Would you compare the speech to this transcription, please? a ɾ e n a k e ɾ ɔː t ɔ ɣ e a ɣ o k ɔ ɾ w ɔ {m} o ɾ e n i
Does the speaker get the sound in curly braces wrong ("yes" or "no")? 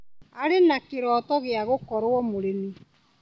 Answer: no